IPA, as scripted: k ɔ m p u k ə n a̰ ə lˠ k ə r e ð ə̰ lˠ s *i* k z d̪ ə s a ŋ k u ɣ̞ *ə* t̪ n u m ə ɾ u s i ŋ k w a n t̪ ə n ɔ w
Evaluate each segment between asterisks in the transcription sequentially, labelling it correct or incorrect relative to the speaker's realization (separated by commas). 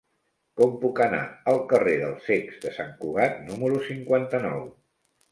incorrect, incorrect